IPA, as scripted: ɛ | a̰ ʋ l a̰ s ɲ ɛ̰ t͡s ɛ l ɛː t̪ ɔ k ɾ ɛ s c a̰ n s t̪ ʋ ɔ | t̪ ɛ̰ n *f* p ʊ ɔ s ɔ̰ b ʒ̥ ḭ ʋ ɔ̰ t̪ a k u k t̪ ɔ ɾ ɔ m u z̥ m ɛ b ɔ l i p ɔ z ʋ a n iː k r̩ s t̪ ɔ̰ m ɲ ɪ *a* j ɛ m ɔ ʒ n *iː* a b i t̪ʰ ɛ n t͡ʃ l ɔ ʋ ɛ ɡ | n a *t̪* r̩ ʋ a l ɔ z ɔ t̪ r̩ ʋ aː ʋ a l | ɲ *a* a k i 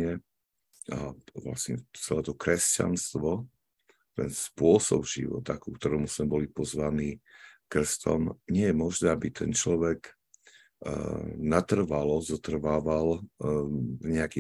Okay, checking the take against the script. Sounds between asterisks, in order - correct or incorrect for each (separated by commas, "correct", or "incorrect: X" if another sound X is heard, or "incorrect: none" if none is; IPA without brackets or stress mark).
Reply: incorrect: s, incorrect: ɛ, incorrect: ɛː, correct, incorrect: ɛ